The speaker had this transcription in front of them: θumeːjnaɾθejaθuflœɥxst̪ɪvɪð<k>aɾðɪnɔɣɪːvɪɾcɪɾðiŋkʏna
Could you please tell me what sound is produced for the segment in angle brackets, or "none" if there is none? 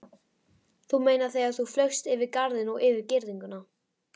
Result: k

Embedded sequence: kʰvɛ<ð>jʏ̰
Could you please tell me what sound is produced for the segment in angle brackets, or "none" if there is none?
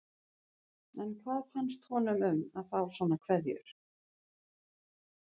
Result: ð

